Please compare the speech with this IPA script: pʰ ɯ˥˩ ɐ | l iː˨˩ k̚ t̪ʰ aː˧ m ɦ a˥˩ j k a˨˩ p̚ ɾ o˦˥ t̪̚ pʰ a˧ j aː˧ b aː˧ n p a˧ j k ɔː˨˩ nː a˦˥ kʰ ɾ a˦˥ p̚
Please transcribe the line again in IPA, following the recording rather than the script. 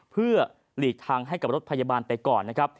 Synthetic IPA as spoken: pʰ ɯ˥˩ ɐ | l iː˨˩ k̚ t̪ʰ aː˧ ŋ ɦ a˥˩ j k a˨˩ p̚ ɾ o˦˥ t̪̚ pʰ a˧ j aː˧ b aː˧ n p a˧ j k ɔː˨˩ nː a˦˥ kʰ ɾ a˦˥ p̚